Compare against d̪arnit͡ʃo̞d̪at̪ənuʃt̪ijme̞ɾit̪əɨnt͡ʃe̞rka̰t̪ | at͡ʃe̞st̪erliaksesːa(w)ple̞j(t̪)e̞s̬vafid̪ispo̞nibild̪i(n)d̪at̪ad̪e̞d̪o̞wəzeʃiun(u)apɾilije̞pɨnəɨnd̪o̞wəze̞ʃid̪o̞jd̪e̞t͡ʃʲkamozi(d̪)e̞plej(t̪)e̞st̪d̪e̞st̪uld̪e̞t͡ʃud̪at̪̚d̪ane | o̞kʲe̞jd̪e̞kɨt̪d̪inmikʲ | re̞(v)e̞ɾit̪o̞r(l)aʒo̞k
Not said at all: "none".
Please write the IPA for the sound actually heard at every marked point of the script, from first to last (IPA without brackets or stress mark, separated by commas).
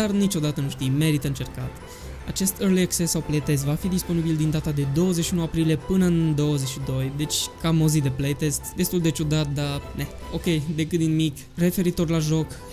w, t̪, n, u, d̪, t̪, f, l